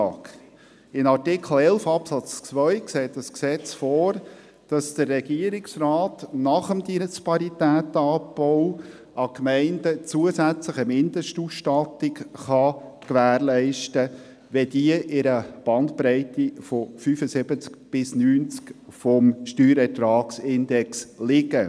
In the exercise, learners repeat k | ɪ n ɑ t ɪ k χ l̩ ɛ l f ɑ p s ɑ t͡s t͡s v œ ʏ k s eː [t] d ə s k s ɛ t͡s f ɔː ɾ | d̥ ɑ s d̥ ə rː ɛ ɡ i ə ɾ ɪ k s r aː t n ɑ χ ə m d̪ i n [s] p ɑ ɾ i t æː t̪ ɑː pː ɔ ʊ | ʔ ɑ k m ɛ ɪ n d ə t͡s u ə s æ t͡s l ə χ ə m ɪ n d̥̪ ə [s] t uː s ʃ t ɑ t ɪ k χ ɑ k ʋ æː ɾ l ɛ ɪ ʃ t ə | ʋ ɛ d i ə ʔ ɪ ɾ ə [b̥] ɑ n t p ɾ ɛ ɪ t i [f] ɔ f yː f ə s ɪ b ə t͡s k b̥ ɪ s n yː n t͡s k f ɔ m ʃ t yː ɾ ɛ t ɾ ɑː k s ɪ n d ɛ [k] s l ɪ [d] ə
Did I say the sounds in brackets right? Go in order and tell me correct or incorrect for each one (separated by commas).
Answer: correct, correct, incorrect, correct, correct, correct, incorrect